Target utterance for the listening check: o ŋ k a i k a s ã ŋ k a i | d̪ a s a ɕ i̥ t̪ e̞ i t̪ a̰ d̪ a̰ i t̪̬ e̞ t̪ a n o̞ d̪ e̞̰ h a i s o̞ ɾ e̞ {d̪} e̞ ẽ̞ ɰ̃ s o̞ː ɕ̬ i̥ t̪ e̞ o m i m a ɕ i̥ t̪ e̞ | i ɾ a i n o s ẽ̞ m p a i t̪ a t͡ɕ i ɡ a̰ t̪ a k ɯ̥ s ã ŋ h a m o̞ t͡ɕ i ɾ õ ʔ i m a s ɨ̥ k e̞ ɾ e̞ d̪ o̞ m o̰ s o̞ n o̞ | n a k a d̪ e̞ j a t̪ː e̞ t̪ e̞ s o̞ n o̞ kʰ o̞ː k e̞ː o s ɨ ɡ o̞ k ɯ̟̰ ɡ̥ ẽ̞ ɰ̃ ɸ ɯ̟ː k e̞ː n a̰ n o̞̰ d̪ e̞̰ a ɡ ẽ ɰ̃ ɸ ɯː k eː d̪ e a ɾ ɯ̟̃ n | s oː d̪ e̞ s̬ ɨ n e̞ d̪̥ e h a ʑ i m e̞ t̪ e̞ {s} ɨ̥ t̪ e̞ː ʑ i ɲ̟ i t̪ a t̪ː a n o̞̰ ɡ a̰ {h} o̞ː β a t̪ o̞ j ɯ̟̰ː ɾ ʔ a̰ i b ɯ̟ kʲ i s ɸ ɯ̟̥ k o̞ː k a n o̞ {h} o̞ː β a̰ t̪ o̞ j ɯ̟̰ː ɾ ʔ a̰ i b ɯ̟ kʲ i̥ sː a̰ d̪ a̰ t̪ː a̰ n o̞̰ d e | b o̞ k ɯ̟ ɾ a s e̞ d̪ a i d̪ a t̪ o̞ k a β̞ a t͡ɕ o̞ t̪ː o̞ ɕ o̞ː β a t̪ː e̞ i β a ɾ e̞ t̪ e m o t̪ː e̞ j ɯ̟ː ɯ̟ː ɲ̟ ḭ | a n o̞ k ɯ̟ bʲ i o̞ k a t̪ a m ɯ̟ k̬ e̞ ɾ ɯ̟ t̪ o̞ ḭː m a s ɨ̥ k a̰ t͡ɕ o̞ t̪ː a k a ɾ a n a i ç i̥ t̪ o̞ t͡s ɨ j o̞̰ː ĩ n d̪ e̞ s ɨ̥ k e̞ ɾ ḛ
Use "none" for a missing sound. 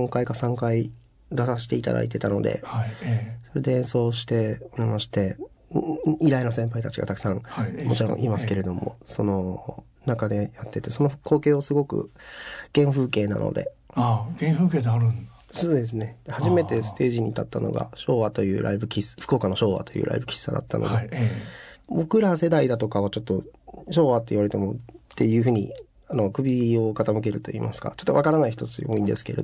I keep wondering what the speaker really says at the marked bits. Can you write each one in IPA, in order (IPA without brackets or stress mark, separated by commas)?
d̪, s, ɕ, ɕ